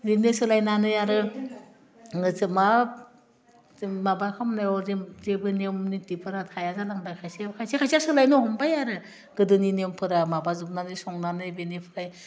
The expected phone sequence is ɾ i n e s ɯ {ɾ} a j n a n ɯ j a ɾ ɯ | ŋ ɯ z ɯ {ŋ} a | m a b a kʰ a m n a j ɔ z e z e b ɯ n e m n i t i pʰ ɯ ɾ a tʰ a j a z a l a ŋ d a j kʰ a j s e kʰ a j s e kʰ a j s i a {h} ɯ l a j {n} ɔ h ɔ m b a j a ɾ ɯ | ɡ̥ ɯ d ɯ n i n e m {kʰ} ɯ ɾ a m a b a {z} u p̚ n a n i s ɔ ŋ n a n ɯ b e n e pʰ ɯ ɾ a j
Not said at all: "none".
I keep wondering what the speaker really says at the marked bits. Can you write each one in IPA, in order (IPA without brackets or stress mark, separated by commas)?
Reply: l, m, s, n, pʰ, z